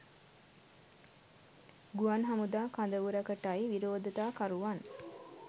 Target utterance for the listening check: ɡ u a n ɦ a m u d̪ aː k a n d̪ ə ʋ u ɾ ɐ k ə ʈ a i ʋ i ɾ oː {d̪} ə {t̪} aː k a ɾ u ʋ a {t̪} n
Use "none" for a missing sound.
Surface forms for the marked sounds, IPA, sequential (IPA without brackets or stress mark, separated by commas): d̪, t̪, none